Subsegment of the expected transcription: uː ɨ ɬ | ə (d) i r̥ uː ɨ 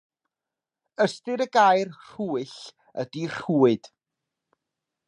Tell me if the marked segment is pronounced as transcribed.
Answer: yes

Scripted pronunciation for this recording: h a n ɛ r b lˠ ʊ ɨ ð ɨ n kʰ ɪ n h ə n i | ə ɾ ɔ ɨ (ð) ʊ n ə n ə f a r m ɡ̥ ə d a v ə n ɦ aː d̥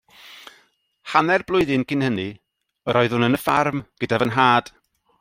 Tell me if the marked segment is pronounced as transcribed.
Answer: yes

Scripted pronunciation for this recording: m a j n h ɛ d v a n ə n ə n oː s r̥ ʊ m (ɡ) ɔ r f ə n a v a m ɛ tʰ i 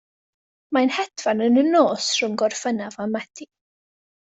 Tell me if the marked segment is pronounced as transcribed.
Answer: yes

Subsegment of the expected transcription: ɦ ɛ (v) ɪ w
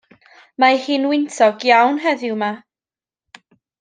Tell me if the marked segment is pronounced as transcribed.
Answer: no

